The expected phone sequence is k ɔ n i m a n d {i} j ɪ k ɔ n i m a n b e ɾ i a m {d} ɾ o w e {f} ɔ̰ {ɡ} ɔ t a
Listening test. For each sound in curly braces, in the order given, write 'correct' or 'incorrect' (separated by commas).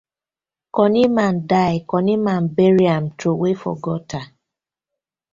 incorrect, incorrect, correct, correct